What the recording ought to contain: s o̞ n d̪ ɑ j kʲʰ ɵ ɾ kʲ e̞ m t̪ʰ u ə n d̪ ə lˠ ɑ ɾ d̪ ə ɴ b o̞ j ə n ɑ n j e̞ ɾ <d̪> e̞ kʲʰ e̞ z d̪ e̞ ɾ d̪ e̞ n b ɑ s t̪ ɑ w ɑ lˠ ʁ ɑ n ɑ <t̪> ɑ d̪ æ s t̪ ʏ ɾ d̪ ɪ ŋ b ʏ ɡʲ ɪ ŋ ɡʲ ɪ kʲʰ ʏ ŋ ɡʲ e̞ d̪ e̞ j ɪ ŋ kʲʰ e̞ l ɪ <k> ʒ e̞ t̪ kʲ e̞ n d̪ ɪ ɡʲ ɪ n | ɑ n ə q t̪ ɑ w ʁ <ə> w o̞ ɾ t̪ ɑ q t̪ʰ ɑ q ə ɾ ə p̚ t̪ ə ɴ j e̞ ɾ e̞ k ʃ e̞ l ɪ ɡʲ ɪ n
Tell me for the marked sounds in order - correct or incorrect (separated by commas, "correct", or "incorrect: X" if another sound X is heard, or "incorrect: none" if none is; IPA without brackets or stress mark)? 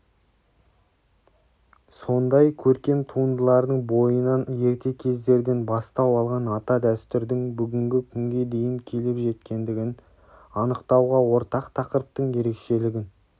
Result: incorrect: t̪, correct, incorrect: p, incorrect: ɑ